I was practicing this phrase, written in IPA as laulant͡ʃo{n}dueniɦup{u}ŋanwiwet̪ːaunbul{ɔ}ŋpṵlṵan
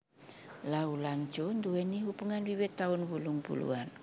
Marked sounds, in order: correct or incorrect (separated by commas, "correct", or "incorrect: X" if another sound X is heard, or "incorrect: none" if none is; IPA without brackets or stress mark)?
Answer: correct, correct, incorrect: u